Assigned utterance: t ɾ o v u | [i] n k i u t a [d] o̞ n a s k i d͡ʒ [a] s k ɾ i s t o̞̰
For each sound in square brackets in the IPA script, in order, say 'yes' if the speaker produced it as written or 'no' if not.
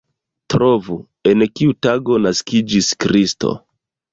no, no, no

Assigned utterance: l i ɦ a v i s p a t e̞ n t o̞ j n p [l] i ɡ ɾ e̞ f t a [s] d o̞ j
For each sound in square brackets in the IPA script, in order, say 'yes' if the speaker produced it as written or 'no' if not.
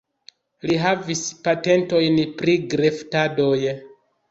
no, no

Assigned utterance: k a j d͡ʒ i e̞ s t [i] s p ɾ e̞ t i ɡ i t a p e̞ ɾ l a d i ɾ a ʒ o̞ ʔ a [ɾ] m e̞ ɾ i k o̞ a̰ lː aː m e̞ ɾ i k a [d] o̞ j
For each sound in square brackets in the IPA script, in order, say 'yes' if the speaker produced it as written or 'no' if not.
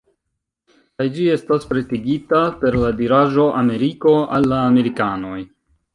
no, no, no

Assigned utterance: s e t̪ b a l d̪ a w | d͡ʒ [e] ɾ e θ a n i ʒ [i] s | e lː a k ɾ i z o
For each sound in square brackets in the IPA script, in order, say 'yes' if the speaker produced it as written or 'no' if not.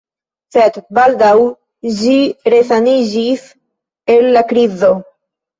no, yes

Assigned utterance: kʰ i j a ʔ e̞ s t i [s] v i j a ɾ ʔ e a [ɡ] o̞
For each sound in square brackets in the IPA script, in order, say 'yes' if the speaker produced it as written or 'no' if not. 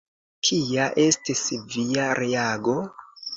yes, yes

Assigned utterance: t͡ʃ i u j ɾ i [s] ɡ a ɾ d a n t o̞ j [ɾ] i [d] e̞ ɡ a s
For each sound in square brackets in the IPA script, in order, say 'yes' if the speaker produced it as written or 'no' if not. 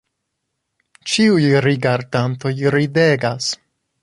no, yes, yes

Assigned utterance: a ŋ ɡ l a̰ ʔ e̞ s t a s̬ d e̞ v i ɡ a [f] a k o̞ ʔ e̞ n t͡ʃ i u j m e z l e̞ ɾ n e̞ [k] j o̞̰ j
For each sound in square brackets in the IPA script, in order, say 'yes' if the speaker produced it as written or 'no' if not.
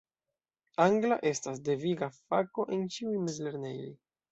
yes, no

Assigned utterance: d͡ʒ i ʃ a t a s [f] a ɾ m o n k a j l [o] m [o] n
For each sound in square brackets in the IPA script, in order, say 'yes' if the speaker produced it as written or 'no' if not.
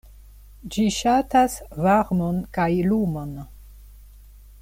no, no, yes

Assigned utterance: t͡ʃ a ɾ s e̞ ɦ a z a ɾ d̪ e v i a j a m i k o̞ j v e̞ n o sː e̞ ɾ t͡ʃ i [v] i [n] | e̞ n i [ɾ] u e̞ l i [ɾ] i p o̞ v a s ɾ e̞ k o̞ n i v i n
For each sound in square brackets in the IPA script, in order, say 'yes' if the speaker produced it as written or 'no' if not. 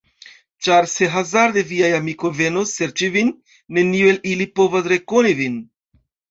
yes, no, no, no

